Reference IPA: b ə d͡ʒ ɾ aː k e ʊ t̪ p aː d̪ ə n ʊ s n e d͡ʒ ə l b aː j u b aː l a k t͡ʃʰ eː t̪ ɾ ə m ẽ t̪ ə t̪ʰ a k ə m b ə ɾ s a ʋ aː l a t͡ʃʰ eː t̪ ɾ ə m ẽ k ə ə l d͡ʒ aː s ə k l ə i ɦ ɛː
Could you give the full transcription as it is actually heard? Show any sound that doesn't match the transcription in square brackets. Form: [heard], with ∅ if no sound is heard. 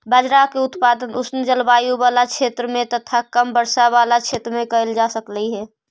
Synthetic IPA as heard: b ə d͡ʒ ɾ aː k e ʊ t̪ p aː d̪ ə n ʊ s n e d͡ʒ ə l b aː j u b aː l a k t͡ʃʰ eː t̪ ɾ ə m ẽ t̪ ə t̪ʰ a k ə m b ə ɾ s a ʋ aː l a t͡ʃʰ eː t̪ ɾ ə m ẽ k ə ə l d͡ʒ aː s ə k l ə i ɦ ɛː